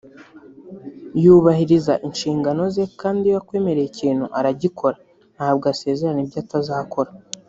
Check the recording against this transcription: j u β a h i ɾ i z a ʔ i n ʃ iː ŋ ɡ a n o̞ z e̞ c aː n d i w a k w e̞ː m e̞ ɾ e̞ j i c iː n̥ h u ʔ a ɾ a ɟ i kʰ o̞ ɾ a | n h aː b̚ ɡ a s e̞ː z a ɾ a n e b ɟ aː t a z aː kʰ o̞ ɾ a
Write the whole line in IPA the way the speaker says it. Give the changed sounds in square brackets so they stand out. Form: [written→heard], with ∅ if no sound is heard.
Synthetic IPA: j u β a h i ɾ i z a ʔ i n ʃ iː ŋ ɡ a n o̞ z e̞ [c→k] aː n d i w a k w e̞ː m e̞ ɾ e̞ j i c iː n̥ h u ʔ a ɾ a ɟ i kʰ o̞ ɾ a | n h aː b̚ ɡ a s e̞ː z [a→e] ɾ a n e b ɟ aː t a z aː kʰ o̞ ɾ a